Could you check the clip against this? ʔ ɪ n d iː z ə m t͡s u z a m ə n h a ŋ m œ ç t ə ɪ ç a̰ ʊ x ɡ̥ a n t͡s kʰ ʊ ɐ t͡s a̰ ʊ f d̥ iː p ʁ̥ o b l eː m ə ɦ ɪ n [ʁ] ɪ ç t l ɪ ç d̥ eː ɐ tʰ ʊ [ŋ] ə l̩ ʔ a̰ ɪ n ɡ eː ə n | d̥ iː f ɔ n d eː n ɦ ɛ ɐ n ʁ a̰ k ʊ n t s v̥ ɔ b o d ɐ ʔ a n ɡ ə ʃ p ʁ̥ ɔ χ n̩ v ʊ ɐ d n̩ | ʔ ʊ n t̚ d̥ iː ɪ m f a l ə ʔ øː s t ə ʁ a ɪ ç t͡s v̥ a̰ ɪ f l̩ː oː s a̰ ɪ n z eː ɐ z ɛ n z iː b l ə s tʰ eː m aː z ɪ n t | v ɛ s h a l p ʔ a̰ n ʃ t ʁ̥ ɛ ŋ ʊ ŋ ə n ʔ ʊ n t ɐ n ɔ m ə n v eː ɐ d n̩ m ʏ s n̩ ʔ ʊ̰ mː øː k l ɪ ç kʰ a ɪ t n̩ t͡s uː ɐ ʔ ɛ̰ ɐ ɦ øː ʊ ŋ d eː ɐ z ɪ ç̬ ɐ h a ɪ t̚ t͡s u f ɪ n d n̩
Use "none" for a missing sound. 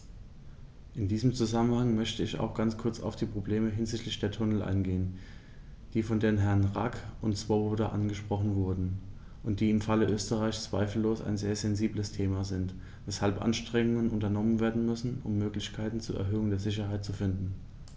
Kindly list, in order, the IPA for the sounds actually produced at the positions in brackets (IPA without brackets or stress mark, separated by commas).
z, n